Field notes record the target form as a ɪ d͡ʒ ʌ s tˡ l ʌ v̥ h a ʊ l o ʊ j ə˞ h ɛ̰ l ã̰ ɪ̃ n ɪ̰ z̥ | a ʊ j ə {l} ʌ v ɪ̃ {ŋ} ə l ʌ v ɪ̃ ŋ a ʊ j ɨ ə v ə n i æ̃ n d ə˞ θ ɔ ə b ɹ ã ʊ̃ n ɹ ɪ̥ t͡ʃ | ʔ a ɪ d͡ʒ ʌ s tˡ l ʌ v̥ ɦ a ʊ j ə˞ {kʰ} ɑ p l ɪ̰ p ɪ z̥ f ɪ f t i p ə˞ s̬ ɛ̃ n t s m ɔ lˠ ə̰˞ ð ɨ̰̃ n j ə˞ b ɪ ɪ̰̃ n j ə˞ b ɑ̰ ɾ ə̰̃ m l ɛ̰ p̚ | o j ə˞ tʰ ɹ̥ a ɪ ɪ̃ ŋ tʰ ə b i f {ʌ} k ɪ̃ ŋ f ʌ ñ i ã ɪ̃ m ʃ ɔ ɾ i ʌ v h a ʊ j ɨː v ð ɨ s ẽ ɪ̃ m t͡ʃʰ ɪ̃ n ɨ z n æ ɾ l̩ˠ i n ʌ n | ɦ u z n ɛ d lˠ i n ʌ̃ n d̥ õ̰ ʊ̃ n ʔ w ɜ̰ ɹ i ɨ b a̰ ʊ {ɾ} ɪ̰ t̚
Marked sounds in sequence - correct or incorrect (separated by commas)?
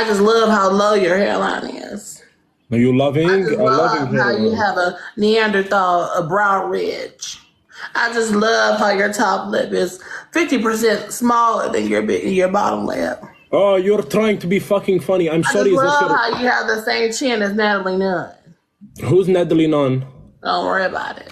correct, correct, incorrect, correct, correct